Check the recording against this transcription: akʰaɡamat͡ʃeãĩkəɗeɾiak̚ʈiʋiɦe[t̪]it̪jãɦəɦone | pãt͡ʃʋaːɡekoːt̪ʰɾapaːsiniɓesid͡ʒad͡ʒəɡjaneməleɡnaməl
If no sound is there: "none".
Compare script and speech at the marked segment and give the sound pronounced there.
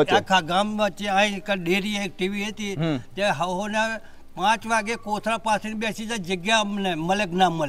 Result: t̪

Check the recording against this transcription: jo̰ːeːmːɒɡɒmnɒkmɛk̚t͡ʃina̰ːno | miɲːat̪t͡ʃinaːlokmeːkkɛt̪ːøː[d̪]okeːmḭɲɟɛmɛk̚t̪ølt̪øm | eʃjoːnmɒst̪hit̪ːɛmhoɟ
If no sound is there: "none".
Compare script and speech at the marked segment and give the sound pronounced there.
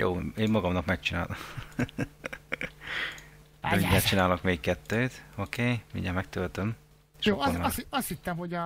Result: t̪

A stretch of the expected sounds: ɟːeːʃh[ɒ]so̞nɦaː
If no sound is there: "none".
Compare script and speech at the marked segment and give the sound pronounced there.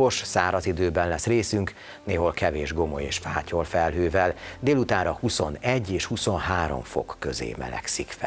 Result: u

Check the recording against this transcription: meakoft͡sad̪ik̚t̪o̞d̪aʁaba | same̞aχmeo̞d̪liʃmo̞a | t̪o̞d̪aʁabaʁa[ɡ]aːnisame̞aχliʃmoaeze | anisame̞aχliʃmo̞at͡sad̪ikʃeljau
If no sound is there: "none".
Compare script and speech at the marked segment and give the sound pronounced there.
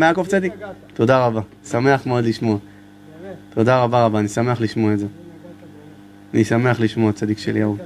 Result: b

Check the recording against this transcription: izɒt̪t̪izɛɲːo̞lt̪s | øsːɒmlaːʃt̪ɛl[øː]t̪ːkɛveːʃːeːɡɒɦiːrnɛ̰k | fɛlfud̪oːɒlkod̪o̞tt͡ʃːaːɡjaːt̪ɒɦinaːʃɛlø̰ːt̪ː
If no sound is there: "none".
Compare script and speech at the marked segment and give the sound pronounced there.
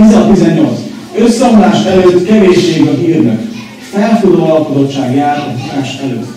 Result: øː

